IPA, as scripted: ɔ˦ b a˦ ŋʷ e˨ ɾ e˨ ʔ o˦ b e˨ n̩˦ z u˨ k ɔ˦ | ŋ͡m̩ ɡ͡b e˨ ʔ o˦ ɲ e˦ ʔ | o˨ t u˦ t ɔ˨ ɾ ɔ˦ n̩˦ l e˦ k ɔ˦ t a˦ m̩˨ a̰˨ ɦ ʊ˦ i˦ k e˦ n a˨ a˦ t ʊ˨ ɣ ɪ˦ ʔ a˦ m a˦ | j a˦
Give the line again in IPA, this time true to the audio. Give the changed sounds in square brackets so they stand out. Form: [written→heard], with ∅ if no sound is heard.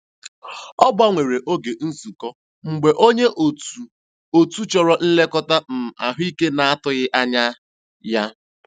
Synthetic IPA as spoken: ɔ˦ b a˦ ŋʷ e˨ ɾ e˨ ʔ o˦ [b→ɡ] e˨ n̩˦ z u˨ k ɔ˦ | ŋ͡m̩ ɡ͡b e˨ ʔ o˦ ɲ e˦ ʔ | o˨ t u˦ [t→t͡ʃ] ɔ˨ ɾ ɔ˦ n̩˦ l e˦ k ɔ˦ t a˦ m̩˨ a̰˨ ɦ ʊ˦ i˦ k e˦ n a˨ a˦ t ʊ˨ ɣ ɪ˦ ʔ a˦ [m→ɲ] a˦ | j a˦